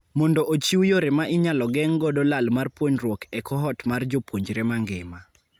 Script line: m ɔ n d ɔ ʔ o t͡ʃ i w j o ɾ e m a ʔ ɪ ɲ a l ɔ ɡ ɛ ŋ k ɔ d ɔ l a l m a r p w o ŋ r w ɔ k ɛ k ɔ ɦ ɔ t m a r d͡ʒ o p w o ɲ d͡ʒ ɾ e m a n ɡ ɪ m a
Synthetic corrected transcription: m ɔ n d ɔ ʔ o t͡ʃ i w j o ɾ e m a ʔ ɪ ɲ a l ɔ ɡ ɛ ŋ ɡ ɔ d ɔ l a l m a r p w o ɲ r w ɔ k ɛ k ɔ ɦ ɔ t m a r d͡ʒ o p w o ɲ d͡ʒ ɾ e m a ŋ ɡ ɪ m a